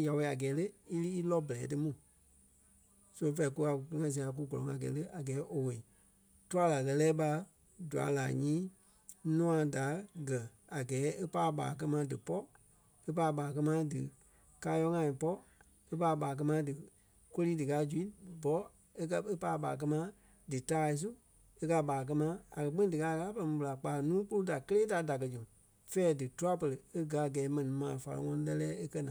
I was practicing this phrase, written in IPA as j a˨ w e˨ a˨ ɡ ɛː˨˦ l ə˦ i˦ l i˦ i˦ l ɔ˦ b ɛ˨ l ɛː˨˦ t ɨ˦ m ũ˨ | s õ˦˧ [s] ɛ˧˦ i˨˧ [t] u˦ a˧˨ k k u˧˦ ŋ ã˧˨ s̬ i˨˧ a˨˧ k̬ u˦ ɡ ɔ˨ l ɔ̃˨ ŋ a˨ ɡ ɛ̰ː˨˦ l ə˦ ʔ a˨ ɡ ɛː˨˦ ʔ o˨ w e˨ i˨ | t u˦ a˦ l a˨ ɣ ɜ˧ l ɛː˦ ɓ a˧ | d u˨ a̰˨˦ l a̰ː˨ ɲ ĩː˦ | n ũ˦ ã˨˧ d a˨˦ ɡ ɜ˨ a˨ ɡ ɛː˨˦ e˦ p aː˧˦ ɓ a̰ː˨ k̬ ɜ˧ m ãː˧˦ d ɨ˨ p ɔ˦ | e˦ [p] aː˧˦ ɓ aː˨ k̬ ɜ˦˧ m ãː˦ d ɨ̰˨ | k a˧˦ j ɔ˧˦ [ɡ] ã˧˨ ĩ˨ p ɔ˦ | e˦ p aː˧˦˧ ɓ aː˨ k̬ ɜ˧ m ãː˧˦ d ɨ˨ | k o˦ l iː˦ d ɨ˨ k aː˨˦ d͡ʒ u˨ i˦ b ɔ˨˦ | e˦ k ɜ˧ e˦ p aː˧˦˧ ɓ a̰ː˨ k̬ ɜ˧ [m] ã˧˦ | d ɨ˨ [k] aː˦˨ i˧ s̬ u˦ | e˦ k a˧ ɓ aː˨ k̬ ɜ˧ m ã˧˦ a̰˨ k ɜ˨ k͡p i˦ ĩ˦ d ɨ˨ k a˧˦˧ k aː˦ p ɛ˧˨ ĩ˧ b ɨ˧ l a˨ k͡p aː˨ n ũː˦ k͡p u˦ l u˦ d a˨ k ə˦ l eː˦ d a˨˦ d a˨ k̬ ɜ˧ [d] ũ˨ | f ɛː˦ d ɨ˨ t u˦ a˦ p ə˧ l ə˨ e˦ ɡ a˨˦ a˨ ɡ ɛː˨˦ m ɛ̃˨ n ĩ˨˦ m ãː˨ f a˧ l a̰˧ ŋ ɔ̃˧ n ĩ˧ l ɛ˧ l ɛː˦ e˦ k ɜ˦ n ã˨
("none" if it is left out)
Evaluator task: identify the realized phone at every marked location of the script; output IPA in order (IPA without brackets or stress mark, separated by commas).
f, k, p, ŋ, m, t, d͡ʒ